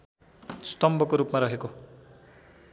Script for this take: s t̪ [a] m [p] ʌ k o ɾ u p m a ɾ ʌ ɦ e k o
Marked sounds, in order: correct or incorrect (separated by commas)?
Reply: incorrect, incorrect